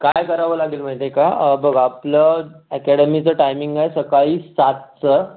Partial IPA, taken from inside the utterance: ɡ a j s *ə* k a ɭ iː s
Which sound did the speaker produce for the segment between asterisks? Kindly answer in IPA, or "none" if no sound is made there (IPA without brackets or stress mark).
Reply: ə